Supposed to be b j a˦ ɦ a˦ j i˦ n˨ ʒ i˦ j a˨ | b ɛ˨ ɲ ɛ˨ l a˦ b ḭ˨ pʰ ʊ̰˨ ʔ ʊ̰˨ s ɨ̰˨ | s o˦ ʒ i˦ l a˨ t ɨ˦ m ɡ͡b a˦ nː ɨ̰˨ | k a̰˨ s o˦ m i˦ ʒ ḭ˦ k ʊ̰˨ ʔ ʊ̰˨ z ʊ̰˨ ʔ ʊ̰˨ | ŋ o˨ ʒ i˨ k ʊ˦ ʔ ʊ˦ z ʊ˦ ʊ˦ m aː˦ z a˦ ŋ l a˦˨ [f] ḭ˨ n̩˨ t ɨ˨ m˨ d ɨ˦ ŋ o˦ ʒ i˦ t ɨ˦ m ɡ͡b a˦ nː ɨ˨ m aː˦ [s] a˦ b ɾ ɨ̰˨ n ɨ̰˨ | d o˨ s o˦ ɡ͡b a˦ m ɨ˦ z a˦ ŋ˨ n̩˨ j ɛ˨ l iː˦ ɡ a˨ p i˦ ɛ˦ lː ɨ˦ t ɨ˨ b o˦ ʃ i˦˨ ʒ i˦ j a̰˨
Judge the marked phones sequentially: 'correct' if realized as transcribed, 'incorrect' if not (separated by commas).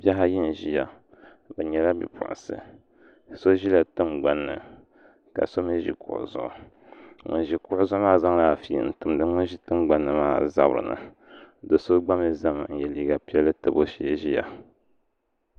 correct, incorrect